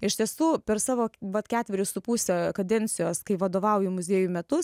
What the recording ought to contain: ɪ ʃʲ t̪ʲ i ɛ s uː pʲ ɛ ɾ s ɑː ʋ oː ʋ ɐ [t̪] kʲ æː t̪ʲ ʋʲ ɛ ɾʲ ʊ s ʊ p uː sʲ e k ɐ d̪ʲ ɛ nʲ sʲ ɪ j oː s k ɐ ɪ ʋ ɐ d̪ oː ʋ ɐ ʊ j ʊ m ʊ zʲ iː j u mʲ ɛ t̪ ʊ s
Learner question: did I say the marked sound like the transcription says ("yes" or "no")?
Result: yes